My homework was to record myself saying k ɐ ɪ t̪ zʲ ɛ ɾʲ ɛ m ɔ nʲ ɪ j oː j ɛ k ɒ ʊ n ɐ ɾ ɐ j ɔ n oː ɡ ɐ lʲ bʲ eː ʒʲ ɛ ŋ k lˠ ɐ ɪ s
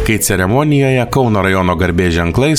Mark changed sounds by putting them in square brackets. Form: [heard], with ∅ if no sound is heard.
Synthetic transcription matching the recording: k ɐ ɪ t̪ [sʲ] ɛ ɾʲ ɛ m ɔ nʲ ɪ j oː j ɛ k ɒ ʊ n ɐ ɾ ɐ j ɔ n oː ɡ ɐ [ɾʲ] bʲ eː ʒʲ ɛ ŋ k lˠ ɐ ɪ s